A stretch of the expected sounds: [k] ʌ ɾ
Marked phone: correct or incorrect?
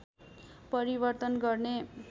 incorrect